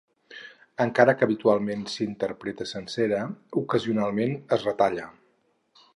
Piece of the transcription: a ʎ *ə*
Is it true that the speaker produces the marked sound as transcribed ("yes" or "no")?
yes